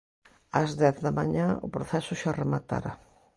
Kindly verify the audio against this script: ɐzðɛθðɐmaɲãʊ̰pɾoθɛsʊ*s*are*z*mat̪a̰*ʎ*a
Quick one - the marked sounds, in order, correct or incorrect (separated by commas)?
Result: incorrect, incorrect, incorrect